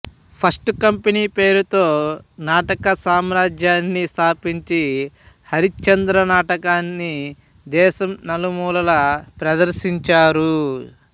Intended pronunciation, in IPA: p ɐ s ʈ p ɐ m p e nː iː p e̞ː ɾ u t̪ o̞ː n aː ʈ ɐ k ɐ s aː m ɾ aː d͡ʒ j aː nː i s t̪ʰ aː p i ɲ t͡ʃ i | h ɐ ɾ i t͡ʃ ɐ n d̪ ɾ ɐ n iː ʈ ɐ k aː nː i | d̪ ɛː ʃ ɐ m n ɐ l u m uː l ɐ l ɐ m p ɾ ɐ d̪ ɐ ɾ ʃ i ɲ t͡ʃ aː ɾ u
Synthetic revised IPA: pʰ ɐ s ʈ k ɐ m p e n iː p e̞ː ɾ u t̪ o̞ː n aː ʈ ɐ k ɐ s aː m ɾ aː d͡ʒ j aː nː i s t̪ʰ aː p i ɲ t͡ʃ i | h ɐ ɾ i t͡ʃ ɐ n d̪ ɾ ɐ n aː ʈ ɐ k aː nː i | d̪ ɛː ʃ ɐ m n ɐ l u m uː l ɐ l ɐ p ɾ ɐ d̪ ɐ ɾ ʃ i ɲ t͡ʃ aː ɾ u